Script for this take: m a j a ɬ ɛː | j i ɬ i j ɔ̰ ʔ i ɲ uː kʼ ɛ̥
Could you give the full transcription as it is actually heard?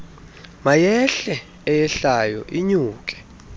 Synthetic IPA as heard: m a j ɛ ɬ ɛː | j ɛ ɬ a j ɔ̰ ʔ i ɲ uː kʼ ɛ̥